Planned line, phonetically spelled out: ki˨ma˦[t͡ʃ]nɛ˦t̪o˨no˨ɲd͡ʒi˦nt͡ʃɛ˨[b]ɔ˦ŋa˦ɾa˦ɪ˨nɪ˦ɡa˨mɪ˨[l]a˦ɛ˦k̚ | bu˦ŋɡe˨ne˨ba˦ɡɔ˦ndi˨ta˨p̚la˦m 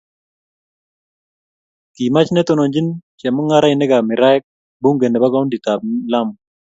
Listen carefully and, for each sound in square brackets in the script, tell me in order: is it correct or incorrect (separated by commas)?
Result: correct, incorrect, incorrect